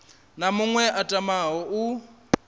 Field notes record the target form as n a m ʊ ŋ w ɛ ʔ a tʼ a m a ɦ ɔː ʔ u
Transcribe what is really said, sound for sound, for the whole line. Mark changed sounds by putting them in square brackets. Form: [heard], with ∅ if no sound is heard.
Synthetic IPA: n a m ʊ ŋ w ɛ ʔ a tʼ a m a ɦ [ɔ] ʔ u